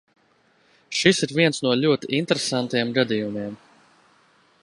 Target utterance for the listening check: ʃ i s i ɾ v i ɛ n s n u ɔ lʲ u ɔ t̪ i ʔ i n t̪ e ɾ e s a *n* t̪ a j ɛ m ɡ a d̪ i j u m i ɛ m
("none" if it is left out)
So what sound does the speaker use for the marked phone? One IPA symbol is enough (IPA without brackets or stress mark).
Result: n